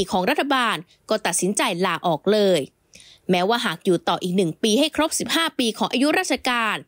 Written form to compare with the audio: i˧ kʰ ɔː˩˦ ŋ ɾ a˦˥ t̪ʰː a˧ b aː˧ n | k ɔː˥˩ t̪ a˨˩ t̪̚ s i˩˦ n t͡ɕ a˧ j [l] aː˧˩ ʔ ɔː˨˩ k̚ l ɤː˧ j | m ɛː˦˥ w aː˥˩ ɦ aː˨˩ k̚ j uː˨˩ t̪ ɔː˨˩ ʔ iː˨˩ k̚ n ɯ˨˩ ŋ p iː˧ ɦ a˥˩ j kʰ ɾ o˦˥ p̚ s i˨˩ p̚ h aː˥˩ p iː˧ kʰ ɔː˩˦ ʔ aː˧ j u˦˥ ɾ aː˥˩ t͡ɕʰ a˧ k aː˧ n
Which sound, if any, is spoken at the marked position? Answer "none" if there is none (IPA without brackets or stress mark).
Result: l